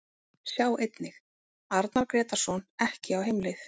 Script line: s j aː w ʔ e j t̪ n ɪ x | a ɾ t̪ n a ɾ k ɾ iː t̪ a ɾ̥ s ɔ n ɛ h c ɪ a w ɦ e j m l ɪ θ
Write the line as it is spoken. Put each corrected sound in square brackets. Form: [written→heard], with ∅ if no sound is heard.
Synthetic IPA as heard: s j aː w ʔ e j t̪ n ɪ x | a ɾ t̪ n a ɾ k ɾ [iː→ɛː] t̪ a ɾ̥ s ɔ n ɛ h c ɪ a w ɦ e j m l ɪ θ